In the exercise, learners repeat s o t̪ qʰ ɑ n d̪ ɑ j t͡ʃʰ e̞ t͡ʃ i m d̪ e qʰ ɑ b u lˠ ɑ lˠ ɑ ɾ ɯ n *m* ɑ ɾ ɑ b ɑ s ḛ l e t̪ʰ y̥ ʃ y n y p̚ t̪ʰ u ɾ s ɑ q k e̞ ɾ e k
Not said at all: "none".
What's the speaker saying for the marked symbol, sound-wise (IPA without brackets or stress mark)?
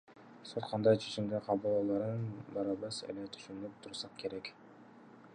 b